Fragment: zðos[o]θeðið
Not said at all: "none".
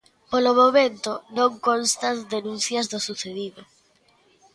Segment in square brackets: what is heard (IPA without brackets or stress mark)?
u